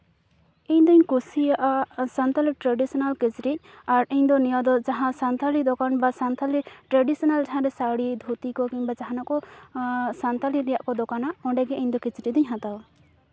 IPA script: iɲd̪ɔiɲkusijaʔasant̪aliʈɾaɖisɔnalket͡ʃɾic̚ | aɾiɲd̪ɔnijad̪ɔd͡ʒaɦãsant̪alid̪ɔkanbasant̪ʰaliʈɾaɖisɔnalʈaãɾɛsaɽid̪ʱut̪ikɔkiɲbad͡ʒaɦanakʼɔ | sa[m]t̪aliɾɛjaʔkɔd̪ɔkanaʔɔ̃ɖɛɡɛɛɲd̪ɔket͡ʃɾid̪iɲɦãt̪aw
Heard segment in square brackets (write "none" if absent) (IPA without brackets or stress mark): n